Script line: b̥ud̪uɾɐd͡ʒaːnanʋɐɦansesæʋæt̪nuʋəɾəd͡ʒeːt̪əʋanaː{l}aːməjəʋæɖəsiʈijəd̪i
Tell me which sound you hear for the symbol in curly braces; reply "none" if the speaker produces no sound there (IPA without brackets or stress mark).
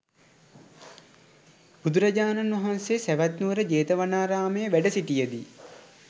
ɾ